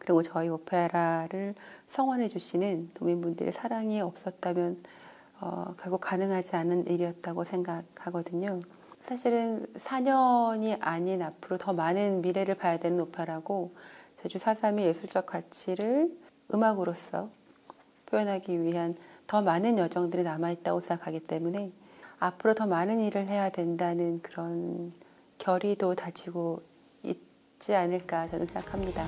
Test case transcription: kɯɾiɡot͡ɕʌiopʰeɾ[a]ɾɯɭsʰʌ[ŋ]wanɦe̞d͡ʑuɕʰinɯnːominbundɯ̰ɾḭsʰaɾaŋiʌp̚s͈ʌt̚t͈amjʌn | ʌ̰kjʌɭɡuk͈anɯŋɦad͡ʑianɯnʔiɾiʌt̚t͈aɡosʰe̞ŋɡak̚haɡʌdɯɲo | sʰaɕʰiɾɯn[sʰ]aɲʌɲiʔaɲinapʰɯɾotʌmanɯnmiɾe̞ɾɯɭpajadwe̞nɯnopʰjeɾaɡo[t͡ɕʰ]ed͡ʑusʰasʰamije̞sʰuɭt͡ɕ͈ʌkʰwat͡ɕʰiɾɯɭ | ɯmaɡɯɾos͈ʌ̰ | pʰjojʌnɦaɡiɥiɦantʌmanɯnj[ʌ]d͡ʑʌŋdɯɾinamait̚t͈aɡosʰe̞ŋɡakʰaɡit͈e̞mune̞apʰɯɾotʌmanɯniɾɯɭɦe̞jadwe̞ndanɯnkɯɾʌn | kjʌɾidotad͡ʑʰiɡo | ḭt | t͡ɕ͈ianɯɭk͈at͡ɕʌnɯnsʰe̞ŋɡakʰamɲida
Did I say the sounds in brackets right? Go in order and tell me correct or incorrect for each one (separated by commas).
correct, correct, correct, incorrect, correct